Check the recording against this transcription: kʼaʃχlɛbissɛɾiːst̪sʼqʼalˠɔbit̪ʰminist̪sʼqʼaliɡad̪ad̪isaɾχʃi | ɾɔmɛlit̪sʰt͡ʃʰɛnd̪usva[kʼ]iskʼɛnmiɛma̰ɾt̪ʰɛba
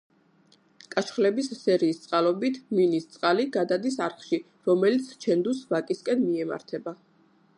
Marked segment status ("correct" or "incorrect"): correct